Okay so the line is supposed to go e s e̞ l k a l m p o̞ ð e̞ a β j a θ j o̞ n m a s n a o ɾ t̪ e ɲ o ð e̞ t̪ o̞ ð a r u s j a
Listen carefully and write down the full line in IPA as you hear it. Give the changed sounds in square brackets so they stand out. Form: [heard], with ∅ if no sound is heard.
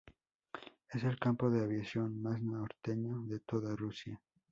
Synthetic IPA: e s e̞ l k a [∅] m p o̞ ð e̞ a β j a [s] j o̞ n m a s n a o ɾ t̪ e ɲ o ð e̞ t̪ o̞ ð a r u s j a